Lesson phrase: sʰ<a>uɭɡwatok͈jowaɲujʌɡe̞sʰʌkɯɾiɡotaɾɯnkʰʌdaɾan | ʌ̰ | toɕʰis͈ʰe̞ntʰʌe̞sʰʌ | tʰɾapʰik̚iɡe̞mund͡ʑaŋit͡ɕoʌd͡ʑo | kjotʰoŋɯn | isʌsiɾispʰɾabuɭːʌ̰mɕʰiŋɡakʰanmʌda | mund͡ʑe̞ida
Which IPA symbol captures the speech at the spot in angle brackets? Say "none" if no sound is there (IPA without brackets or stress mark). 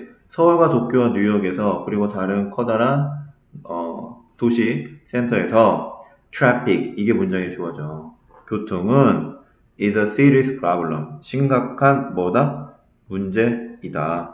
ʌ